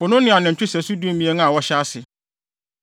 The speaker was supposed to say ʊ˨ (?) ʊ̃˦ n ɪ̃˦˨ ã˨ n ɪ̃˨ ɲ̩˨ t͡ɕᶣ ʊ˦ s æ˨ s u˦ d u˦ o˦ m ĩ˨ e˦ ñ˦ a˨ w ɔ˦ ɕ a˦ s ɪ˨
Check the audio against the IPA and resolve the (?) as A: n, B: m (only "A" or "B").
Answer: A